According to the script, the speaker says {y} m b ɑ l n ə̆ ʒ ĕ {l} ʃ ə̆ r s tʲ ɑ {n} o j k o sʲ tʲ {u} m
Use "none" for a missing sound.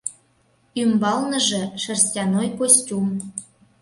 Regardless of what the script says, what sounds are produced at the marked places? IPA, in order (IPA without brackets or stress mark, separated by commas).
y, none, n, u